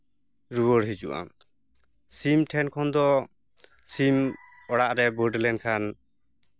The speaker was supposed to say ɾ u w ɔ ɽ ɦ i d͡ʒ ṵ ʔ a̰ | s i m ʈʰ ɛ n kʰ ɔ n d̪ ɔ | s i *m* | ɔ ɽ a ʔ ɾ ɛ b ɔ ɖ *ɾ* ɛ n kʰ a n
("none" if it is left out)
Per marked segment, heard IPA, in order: m, l

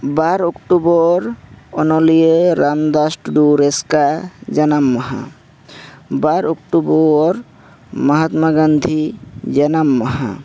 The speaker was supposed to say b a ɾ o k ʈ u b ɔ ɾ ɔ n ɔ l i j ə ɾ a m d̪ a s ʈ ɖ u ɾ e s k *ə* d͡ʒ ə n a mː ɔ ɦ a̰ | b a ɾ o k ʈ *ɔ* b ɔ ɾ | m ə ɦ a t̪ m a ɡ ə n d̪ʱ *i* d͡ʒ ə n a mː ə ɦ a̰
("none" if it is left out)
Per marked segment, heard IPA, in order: a, u, i

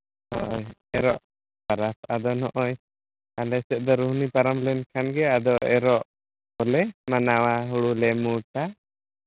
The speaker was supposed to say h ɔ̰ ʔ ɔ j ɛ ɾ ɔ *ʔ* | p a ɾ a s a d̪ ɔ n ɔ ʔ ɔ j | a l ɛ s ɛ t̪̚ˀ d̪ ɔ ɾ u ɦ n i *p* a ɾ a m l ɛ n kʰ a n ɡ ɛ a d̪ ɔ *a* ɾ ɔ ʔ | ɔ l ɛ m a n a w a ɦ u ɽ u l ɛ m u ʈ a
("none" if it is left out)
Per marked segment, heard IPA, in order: ʔ, p, ɛ

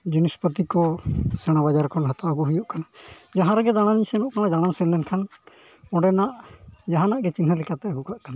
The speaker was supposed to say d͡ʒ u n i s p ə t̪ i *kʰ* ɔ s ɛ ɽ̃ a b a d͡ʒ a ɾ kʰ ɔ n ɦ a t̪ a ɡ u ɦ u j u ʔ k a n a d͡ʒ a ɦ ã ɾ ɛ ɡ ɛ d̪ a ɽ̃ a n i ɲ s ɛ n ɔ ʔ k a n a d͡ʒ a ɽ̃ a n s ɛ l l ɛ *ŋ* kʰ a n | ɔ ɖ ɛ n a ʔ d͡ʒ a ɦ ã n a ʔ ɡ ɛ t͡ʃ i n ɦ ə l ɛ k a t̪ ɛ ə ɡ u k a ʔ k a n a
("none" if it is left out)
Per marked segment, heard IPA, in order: k, n

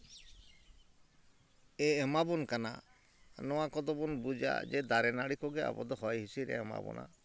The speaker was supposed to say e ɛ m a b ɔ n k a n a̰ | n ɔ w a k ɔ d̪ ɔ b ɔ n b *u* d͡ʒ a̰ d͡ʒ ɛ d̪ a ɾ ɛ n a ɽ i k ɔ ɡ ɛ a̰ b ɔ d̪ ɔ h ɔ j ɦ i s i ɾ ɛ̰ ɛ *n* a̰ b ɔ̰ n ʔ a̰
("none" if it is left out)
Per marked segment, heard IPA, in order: u, m

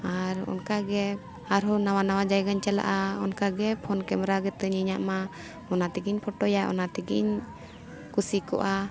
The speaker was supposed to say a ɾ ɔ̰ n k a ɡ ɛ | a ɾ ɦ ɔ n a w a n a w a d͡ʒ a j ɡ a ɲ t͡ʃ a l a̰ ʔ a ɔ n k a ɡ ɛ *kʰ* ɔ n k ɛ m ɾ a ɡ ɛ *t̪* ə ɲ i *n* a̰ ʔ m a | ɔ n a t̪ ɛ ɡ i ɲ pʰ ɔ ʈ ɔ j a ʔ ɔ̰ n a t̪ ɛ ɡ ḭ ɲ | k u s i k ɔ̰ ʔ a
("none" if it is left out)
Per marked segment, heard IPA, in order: pʰ, t̪, ɲ

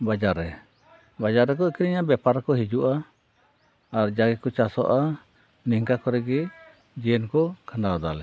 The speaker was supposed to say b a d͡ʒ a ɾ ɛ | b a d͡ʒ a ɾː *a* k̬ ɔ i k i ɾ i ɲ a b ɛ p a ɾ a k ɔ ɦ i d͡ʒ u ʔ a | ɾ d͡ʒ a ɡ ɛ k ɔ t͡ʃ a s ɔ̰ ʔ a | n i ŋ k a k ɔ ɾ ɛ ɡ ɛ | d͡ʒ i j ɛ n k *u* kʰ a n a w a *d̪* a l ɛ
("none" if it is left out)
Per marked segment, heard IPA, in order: ɛ, ɔ, d̪

